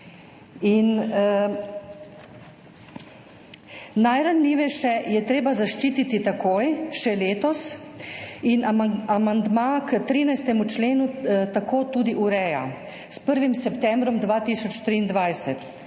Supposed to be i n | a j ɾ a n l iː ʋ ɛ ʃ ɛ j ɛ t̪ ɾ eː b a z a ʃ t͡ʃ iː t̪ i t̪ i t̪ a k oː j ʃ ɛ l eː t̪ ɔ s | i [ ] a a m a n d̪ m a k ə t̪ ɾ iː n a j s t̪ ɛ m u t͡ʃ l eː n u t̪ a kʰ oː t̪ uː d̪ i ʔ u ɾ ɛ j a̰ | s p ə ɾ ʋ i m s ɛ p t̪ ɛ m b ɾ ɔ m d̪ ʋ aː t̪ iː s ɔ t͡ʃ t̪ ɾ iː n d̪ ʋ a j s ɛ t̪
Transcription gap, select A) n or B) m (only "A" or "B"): A